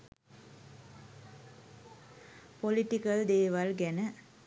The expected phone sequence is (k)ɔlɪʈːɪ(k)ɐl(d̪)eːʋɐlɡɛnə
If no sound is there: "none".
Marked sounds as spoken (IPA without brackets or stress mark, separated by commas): p, k, d̪